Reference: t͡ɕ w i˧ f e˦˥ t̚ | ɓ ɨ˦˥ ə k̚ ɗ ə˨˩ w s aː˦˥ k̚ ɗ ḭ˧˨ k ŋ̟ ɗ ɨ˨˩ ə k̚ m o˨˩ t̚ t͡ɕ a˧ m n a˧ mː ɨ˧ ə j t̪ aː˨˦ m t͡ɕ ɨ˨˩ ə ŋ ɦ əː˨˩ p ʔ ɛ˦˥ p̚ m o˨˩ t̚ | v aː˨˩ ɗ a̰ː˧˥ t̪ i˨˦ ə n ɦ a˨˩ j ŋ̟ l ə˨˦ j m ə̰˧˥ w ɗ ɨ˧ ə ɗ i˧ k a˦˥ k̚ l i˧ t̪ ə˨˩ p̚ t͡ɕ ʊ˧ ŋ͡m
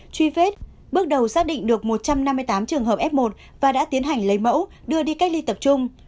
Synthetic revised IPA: t͡ɕ w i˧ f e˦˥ t̚ | ɓ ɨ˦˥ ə k̚ ɗ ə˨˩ w s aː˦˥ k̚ ɗ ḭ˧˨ ŋ̟ ɗ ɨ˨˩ ə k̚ m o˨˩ t̚ t͡ɕ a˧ m n a˧ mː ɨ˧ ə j t̪ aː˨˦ m t͡ɕ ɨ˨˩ ə ŋ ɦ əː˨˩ p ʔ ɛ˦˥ p̚ m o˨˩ t̚ | v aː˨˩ ɗ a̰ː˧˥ t̪ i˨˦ ə n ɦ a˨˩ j ŋ̟ l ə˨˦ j m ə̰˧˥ w ɗ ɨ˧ ə ɗ i˧ k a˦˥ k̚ l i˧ t̪ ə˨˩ p̚ t͡ɕ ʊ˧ ŋ͡m